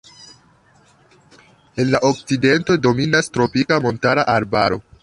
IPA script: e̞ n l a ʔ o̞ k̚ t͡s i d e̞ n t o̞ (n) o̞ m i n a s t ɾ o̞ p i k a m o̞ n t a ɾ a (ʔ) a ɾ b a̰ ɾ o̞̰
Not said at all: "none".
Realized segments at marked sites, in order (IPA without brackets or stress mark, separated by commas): d, ʔ